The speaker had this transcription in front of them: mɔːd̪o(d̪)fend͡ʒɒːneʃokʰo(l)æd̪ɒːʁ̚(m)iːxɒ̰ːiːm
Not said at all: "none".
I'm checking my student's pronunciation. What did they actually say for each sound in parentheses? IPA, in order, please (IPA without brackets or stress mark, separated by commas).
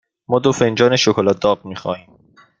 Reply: none, l, m